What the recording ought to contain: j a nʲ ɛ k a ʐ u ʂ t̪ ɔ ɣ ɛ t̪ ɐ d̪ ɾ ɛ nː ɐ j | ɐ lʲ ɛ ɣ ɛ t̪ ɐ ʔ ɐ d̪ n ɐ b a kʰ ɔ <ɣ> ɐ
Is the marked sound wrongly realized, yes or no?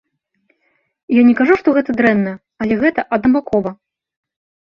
yes